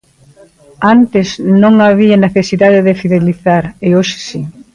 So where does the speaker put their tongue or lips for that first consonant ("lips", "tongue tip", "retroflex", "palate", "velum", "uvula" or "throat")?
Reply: tongue tip